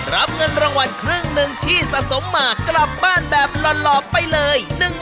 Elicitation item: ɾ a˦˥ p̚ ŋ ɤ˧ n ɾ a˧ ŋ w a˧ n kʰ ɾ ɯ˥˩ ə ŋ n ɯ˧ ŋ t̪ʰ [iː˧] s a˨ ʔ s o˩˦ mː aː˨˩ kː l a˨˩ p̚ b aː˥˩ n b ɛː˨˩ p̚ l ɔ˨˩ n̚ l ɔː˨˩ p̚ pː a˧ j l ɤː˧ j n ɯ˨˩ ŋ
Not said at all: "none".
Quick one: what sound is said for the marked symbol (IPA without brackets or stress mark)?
iː˥˩